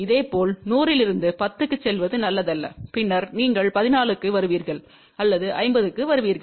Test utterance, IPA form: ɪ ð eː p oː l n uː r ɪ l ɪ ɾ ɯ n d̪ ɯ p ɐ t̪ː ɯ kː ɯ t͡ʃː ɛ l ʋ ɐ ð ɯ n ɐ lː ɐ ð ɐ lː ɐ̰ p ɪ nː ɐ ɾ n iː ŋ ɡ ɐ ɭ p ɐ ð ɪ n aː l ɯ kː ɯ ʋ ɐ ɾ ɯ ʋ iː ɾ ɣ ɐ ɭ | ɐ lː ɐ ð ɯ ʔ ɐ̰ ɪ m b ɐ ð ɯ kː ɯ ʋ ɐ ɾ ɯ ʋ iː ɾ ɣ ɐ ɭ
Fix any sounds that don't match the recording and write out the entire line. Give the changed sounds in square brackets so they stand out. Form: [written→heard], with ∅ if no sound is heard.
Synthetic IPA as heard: ɪ ð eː p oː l n uː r ɪ l ɪ ɾ ɯ n d̪ ɯ p ɐ t̪ː ɯ kː ɯ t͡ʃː ɛ l ʋ ɐ ð ɯ n ɐ lː ɐ ð ɐ lː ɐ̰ p ɪ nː ɐ ɾ n iː ŋ ɡ ɐ ɭ p ɐ ð ɪ n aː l ɯ kː ɯ ʋ ɐ ɾ ɯ ʋ iː ɾ ɣ ɐ ɭ | ɐ lː ɐ ð ɯ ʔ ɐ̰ ɪ m b ɐ ð ɯ kː ɯ ʋ ɐ ɾ ɯ ʋ iː ɾ ɣ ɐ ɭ